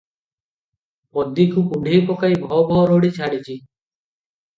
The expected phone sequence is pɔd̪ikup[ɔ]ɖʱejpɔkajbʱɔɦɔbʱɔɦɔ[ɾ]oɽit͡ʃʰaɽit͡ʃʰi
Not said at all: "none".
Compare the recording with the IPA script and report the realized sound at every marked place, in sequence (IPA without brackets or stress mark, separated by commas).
u, ɾ